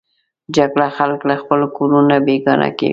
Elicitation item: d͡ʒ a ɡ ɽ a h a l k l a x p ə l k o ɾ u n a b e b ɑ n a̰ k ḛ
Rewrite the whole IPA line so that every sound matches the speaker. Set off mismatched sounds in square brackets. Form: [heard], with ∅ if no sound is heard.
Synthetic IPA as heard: d͡ʒ a ɡ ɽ a [x] a l k l a x p ə l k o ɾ u n a b e [ɡ] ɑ n a̰ k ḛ